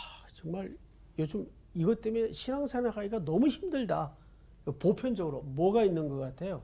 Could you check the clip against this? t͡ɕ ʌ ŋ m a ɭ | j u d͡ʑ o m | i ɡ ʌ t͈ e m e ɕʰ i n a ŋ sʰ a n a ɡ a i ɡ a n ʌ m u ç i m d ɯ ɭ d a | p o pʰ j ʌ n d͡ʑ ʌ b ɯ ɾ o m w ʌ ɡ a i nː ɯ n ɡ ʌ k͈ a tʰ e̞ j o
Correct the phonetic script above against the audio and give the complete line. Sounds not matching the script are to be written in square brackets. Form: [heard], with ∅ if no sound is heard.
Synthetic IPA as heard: t͡ɕ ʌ ŋ m a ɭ | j [o] d͡ʑ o m | i ɡ ʌ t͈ e m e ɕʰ i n a ŋ sʰ a n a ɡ a i ɡ a n ʌ m u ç i m d ɯ ɭ d a | p o pʰ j ʌ n d͡ʑ ʌ [ɡ] ɯ ɾ o m w ʌ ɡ a i nː ɯ n ɡ ʌ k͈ a tʰ e̞ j o